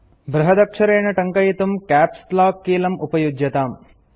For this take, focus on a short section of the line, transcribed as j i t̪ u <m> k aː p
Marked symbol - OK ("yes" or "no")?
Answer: yes